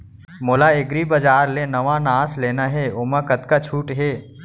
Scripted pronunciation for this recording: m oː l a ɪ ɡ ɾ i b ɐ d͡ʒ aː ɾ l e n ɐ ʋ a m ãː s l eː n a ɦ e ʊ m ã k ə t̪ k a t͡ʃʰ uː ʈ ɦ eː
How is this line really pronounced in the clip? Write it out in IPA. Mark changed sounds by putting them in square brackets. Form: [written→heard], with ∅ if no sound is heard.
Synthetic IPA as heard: m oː l a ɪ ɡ ɾ i b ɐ d͡ʒ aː ɾ l e n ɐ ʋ a [m→n] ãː s l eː n a ɦ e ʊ m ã k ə t̪ k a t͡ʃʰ uː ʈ ɦ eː